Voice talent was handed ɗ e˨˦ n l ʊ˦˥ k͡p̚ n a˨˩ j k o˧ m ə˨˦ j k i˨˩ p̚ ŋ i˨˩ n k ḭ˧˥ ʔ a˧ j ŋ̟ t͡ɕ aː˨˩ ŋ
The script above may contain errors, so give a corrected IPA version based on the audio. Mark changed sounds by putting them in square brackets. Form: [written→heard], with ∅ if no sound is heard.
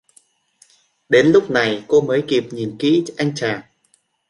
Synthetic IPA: ɗ e˨˦ n l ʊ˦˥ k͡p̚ n a˨˩ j k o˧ m [ə˨˦→əː˨˦] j k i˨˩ p̚ [ŋ→ɲ] i˨˩ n k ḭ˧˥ ʔ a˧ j ŋ̟ t͡ɕ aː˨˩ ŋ